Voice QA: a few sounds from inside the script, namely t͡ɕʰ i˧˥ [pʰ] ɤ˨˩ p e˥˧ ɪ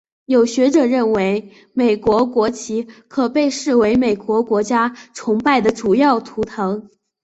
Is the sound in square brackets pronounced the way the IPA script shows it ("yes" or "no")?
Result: no